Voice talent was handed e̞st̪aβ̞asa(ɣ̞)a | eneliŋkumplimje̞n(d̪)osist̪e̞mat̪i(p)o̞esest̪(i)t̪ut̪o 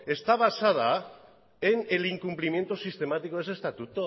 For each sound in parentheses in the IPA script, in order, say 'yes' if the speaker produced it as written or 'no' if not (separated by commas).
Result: no, no, no, no